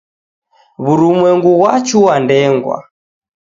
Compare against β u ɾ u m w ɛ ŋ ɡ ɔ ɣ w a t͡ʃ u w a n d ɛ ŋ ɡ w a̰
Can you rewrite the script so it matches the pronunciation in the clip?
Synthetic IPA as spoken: β u ɾ u m w ɛ ŋ ɡ u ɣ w a t͡ʃ u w a n d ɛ ŋ ɡ w a̰